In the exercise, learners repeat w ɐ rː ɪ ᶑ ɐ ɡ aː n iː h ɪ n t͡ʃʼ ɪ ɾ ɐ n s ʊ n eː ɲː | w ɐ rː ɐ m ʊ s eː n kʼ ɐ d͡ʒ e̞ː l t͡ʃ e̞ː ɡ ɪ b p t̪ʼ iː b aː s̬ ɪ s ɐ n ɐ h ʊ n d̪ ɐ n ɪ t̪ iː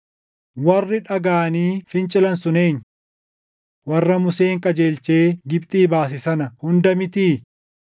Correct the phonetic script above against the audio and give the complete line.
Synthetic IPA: w ɐ rː ɪ ᶑ ɐ ɡ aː n iː f ɪ n t͡ʃʼ ɪ l ɐ n s ʊ n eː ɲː | w ɐ rː ɐ m ʊ s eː ŋ kʼ ɐ d͡ʒ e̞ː l t͡ʃ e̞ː ɡ ɪ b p t̪ʼ iː b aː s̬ ɪ s ɐ n ɐ h ʊ n d̪ ɐ m ɪ t̪ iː